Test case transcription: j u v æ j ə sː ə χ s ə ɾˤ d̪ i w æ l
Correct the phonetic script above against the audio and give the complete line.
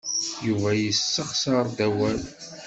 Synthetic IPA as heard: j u v æ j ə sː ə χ s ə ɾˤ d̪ æ w æ l